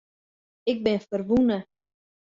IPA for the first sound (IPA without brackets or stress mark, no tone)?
ɪ